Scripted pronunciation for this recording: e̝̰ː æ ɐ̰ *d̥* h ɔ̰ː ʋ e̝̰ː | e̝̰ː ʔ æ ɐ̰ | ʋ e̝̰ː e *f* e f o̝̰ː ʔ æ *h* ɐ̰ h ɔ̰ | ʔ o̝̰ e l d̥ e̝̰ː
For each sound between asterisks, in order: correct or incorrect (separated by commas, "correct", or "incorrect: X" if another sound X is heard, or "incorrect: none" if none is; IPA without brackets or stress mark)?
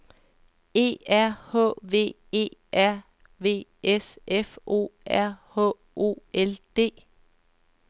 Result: incorrect: none, incorrect: s, incorrect: none